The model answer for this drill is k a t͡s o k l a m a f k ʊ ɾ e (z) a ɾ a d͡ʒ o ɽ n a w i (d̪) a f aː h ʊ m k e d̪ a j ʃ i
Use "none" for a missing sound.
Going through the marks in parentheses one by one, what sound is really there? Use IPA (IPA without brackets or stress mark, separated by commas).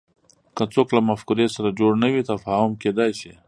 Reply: s, t̪